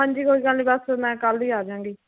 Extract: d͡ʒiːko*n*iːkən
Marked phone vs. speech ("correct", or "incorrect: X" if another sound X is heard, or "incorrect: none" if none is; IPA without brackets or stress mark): incorrect: none